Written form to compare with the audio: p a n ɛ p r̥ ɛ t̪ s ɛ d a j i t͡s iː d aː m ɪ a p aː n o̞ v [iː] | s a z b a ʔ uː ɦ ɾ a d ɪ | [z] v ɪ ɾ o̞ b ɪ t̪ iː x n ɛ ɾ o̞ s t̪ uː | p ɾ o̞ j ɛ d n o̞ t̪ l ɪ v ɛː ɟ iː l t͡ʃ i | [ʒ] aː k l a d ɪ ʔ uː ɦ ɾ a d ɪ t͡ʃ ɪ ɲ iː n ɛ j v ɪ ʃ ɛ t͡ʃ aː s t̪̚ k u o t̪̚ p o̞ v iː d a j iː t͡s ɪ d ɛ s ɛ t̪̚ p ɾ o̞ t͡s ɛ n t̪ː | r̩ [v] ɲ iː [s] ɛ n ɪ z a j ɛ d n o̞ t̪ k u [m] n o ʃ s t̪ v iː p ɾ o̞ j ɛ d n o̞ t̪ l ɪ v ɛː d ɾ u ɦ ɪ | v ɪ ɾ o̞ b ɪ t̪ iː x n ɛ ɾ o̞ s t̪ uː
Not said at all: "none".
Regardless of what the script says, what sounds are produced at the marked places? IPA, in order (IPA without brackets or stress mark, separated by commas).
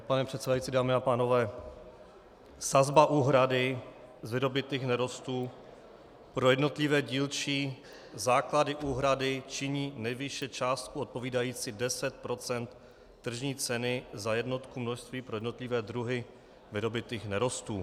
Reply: ɛː, z, z, ʒ, t͡s, m